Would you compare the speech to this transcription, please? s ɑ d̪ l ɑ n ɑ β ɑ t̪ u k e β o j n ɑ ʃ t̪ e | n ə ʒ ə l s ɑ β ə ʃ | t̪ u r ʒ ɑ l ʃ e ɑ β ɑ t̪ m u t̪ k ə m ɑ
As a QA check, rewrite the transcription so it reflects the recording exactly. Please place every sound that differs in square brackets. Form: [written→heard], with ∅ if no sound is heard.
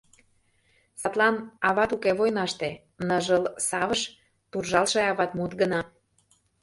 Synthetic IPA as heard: s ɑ [d̪→t̪] l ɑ n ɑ β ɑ t̪ u k e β o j n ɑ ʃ t̪ e | n ə ʒ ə l s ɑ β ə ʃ | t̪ u r ʒ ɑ l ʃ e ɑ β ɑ t̪ m u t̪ [k→ɡ] ə [m→n] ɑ